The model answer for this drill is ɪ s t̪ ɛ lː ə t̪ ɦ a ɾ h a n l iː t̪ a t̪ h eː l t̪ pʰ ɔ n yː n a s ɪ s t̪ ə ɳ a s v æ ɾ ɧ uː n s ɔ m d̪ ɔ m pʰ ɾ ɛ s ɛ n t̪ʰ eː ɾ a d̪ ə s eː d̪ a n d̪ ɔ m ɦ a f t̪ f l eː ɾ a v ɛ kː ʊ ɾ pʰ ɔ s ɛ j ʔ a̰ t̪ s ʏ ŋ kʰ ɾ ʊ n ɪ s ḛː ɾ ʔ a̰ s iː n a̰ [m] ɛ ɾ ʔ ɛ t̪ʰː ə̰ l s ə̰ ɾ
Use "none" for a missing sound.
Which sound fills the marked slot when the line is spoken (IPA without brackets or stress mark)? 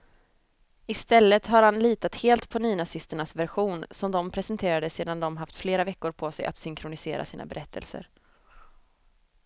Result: b